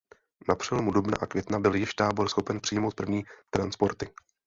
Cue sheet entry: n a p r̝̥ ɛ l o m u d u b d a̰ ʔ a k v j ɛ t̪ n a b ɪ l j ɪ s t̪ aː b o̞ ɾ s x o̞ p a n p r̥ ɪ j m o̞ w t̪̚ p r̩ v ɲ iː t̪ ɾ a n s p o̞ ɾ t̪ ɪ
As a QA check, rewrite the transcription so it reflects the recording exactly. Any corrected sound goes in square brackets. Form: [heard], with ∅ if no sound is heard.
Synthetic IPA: n a p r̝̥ ɛ l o m u d u b [n] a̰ ʔ a k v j ɛ t̪ n a b ɪ l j ɪ [ʃ] t̪ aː b o̞ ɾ s x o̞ p [ɛ] n p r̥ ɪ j m o̞ w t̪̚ p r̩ v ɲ iː t̪ ɾ a n s p o̞ ɾ t̪ ɪ